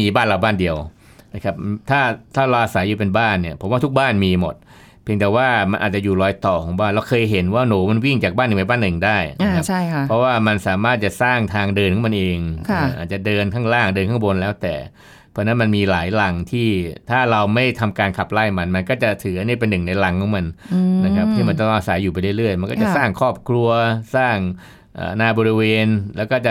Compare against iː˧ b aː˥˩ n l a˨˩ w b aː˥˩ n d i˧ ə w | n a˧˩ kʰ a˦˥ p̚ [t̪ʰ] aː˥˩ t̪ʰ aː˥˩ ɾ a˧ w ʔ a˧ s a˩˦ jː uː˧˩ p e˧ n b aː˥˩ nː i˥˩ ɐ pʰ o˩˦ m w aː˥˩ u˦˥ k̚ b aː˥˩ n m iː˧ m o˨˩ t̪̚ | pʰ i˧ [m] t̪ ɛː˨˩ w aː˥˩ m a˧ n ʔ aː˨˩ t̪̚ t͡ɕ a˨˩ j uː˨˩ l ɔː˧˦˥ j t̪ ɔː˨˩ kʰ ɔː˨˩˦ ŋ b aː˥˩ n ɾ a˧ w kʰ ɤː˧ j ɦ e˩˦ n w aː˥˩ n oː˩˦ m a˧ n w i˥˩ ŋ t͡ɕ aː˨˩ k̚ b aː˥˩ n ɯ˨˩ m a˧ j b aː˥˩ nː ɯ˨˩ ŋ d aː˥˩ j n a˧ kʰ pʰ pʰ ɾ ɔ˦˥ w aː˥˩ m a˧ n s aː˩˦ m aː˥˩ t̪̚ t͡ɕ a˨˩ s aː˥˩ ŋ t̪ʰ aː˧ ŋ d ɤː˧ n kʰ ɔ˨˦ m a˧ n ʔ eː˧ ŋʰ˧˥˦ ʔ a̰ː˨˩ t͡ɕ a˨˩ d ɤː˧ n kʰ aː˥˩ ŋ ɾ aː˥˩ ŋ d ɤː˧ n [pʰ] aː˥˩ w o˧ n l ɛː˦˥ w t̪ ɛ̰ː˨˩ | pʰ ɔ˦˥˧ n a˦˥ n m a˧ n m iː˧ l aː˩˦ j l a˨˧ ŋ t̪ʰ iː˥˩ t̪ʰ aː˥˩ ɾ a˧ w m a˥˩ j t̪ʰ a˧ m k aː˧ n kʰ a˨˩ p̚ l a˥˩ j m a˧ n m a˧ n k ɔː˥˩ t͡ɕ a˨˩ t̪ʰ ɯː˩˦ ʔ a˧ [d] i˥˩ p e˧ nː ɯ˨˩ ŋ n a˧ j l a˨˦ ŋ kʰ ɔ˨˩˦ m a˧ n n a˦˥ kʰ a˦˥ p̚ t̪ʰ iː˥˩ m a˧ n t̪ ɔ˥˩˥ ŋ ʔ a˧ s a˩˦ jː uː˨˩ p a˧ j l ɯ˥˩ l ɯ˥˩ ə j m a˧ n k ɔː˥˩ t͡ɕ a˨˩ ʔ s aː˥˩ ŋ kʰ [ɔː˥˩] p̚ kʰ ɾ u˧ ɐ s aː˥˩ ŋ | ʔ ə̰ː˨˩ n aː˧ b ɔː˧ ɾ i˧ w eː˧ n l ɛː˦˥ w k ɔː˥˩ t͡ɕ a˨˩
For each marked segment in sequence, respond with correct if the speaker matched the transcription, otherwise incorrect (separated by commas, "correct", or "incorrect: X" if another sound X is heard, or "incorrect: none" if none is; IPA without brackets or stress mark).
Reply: correct, incorrect: ŋ, incorrect: kʰ, incorrect: n, correct